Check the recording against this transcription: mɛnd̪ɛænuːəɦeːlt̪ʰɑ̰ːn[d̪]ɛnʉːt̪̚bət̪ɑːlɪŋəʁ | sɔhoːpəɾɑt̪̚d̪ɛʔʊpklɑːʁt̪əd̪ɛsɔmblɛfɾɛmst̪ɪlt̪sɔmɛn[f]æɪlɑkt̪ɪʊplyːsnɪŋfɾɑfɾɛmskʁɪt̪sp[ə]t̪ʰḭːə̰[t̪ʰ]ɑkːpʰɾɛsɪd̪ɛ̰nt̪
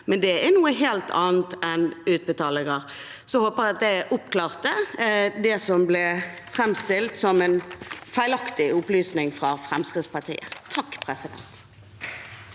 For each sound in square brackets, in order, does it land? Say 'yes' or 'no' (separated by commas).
no, yes, no, yes